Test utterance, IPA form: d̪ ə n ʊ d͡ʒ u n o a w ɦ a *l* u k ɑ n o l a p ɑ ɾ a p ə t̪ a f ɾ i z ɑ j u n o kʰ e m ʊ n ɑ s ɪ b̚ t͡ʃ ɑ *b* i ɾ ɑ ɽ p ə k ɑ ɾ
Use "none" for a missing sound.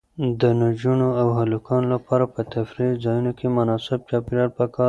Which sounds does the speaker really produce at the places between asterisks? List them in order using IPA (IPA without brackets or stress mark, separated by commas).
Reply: l, p